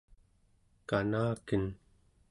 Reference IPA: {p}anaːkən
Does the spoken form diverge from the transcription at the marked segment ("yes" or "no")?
yes